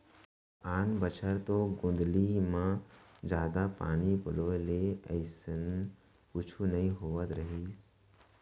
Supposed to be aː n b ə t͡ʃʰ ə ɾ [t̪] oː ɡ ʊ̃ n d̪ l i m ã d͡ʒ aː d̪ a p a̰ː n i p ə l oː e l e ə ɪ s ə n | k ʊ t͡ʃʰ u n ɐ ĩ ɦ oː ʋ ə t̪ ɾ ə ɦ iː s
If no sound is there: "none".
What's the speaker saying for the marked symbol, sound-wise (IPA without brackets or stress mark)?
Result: t̪